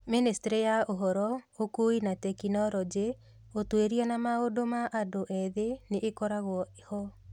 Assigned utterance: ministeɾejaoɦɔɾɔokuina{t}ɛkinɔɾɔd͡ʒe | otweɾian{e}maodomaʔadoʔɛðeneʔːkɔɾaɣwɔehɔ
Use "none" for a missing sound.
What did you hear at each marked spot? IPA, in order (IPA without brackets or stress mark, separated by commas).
t, a